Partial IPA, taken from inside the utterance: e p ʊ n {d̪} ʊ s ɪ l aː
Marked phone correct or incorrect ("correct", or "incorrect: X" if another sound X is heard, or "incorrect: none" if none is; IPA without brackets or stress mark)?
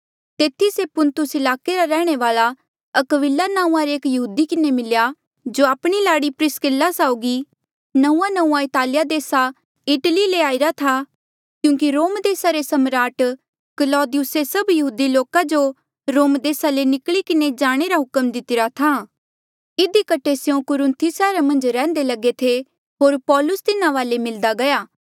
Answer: incorrect: t̪